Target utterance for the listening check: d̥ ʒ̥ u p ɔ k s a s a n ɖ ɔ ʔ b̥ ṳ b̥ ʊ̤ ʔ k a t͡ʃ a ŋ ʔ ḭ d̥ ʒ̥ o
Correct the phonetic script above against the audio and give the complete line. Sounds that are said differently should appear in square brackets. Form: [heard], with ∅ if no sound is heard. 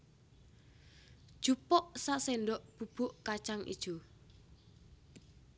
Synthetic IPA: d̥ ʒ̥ u p ɔ [ʔ] s a s [e] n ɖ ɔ ʔ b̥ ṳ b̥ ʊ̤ ʔ k a t͡ʃ a ŋ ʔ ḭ d̥ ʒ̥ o